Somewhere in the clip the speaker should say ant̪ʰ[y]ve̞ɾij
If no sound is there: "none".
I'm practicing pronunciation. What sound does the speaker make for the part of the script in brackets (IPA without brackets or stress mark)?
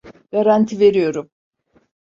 i